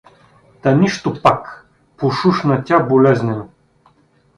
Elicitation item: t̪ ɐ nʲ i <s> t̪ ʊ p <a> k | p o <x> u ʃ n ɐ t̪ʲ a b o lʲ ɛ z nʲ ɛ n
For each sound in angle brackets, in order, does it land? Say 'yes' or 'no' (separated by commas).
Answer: no, yes, no